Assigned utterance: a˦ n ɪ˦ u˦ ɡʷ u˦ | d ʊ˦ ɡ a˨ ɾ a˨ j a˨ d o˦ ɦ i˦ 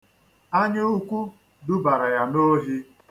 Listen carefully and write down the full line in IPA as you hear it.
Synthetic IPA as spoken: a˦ ɲ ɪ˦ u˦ kʷ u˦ | d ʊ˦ b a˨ ɾ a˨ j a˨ n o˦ ɦ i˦